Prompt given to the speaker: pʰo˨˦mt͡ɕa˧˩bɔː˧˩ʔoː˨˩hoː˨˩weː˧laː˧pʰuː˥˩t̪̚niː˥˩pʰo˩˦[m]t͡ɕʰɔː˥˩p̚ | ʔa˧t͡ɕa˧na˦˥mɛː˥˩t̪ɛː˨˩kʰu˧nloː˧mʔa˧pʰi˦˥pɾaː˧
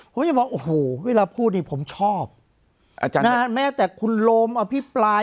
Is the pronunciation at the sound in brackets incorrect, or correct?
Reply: correct